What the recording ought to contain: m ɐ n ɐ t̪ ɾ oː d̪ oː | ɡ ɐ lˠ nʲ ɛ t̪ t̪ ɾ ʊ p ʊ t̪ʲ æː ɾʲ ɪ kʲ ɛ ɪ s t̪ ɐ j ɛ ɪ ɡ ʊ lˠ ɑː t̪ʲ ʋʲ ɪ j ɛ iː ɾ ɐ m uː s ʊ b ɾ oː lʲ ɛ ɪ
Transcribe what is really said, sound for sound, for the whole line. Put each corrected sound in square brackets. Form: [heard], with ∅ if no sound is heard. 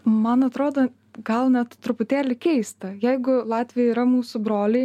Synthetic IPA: m ɐ n ɐ t̪ ɾ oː d̪ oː | ɡ ɐ lˠ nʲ ɛ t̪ t̪ ɾ ʊ p ʊ t̪ʲ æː [lʲ] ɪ kʲ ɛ ɪ s t̪ ɐ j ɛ ɪ ɡ ʊ lˠ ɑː t̪ʲ ʋʲ ɪ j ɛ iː ɾ ɐ m uː s ʊ b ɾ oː lʲ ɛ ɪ